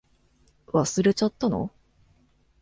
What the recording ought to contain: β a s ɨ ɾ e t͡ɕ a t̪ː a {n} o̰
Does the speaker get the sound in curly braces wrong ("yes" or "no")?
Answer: no